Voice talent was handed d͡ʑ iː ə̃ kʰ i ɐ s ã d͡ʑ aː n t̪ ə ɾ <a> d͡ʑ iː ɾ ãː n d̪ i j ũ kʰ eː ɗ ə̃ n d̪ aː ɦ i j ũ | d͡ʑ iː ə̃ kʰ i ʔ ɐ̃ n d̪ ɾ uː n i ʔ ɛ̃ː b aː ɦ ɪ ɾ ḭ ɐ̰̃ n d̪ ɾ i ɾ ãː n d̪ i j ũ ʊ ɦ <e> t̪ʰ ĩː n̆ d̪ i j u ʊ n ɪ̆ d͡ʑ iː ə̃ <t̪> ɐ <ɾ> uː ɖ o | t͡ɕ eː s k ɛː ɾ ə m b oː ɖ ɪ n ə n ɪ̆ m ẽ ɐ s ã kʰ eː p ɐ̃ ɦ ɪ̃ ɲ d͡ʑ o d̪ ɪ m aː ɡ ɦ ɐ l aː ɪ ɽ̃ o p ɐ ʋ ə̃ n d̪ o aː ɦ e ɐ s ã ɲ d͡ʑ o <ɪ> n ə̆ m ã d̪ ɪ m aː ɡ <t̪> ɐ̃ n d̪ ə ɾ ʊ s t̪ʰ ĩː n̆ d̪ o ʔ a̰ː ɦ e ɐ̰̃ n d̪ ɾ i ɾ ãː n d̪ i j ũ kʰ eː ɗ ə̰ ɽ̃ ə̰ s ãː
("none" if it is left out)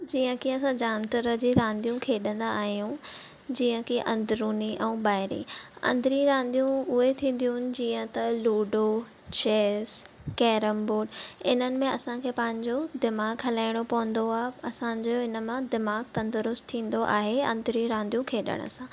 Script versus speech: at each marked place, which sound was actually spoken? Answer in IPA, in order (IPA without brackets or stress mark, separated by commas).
ə, e, t̪, l, ɪ, t̪